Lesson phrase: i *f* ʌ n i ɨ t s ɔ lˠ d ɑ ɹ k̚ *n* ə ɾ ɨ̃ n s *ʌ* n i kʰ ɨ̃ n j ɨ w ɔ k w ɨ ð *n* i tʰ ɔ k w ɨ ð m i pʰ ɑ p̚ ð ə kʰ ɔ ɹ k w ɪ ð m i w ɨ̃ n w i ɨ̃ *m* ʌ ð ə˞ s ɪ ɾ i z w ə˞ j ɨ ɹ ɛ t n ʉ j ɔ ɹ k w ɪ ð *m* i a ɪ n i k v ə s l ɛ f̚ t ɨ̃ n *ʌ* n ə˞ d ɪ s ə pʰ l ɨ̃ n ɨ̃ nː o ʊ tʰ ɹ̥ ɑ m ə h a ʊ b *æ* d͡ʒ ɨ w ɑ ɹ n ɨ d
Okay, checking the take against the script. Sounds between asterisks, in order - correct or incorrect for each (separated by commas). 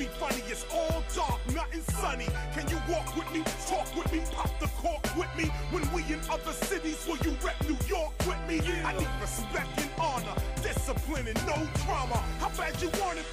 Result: correct, correct, correct, incorrect, incorrect, correct, incorrect, correct